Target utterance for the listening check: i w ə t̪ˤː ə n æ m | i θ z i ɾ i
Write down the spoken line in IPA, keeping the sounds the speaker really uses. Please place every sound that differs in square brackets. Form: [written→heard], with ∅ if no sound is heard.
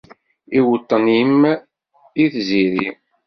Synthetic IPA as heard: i w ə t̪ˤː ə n [æ→i] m | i θ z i ɾ i